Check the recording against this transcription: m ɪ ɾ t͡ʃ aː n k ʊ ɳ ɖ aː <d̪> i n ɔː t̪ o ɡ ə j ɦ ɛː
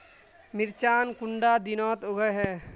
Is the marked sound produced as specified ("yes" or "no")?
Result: yes